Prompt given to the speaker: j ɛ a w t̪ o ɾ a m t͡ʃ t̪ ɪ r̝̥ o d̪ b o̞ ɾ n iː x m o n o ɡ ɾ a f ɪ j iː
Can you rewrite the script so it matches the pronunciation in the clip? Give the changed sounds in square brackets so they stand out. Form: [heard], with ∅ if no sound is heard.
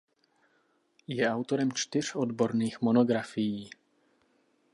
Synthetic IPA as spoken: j ɛ a w t̪ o ɾ [ɛ] m t͡ʃ t̪ ɪ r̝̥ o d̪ b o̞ ɾ n iː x m o n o ɡ ɾ a f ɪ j iː